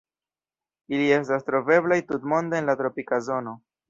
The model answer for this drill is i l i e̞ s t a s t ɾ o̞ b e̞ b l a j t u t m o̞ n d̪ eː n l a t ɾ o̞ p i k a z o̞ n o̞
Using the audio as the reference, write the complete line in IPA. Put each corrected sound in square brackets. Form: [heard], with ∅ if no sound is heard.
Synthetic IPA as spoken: i l i e̞ s t a s t ɾ o̞ [v] e̞ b l a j t u t m o̞ n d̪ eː n l a t ɾ o̞ p i k a z o̞ n o̞